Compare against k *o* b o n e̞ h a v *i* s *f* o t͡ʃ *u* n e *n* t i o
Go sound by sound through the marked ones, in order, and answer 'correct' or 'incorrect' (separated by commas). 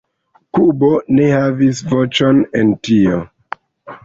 incorrect, correct, incorrect, incorrect, correct